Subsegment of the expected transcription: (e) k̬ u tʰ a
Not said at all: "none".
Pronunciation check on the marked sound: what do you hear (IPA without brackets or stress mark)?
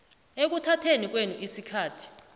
e